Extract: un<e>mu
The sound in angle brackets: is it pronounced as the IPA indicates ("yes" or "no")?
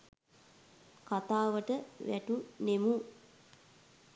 yes